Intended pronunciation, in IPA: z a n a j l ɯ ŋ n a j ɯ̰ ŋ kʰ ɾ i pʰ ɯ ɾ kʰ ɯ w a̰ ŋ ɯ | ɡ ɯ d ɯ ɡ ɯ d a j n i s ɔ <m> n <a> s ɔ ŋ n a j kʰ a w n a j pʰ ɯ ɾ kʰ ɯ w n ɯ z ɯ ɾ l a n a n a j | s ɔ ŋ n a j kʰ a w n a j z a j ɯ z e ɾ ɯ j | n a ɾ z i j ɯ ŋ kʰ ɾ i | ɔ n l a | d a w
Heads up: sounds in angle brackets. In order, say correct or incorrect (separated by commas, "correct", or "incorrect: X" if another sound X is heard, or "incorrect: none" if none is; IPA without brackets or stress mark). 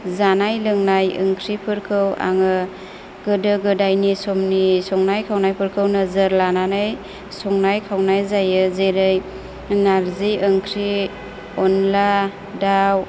correct, incorrect: i